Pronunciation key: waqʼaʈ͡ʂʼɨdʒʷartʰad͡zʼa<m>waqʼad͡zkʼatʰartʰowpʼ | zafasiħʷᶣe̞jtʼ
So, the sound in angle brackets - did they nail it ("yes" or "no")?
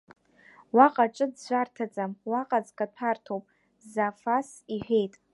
yes